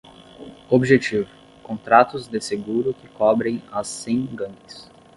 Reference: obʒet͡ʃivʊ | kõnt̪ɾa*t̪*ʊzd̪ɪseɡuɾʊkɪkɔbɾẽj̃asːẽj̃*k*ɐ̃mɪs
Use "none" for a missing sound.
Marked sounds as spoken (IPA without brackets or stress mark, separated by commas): t̪, ɡ